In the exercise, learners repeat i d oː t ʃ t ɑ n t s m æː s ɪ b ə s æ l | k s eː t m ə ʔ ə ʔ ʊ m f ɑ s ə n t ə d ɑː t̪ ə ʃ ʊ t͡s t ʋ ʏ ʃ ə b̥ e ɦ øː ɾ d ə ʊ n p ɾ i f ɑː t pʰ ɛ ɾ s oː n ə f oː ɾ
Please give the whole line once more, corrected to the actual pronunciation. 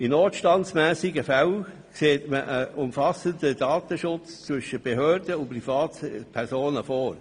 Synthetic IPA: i n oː t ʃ t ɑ n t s m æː s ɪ ɡ ə f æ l | k s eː t m ə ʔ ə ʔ ʊ m f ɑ s ə n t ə d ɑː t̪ ə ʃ ʊ t͡s t͡s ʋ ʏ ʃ ə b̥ e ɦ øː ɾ d ə ʊ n p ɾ i f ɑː t pʰ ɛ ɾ s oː n ə f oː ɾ